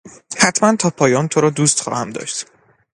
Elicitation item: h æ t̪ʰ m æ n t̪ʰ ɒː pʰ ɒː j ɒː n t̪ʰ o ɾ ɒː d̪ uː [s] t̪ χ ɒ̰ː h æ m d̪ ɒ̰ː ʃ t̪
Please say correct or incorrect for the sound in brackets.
correct